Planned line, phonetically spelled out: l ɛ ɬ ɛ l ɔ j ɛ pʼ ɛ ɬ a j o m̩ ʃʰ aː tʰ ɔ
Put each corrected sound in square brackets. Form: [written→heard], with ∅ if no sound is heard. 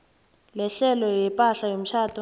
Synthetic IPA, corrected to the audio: l ɛ ɬ ɛ l ɔ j ɛ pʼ [ɛ→a] ɬ a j o m̩ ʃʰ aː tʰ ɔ